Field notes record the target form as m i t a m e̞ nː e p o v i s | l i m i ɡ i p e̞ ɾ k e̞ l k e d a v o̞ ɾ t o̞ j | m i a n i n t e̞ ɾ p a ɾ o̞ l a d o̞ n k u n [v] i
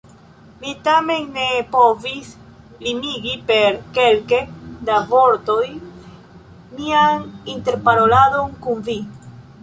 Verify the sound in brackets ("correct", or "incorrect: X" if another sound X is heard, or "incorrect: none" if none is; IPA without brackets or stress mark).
correct